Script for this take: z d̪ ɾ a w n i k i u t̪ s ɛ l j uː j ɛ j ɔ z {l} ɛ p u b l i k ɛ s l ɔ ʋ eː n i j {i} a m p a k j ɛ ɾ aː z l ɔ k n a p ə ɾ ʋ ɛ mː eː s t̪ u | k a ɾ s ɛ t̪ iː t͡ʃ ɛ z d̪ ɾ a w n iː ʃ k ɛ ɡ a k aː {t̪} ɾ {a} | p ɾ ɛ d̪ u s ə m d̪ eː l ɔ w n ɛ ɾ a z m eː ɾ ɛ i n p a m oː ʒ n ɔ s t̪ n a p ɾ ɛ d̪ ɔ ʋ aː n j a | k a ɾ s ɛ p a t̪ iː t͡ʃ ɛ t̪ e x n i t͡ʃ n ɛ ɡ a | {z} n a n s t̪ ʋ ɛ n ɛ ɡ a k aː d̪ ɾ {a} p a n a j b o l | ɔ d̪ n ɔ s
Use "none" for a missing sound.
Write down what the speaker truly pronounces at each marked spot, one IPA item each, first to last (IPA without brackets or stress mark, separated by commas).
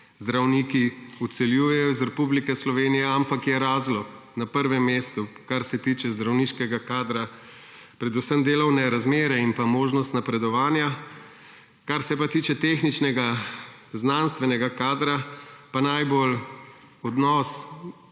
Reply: ɾ, ɛ, d̪, a, z, a